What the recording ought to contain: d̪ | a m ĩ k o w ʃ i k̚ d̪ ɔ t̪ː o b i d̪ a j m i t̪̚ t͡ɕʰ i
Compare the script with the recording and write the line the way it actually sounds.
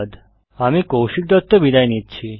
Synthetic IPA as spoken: d̪ | a m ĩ k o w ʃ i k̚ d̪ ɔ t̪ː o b i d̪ a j n i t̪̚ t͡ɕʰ i